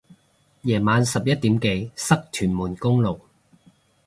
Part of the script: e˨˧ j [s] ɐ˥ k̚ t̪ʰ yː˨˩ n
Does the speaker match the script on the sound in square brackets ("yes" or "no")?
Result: yes